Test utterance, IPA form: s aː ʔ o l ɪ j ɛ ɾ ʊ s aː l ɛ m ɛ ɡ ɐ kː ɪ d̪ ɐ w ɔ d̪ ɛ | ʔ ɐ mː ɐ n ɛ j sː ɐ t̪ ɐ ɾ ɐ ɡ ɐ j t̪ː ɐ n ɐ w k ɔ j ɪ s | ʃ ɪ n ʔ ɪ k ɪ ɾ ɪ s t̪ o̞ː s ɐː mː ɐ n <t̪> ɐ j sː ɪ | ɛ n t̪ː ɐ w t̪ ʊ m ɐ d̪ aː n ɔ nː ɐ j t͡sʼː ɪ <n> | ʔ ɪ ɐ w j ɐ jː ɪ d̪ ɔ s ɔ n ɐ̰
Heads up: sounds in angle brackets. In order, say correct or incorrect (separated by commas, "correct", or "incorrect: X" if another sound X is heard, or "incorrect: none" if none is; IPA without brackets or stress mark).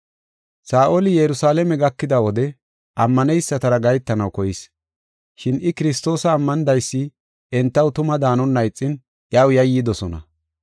incorrect: d̪, correct